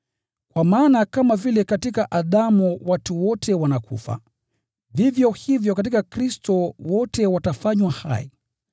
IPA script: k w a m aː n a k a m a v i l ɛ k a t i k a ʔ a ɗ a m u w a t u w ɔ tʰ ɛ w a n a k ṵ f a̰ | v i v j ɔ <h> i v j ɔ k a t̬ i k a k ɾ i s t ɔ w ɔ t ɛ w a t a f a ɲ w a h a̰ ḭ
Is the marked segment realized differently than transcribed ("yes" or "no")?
no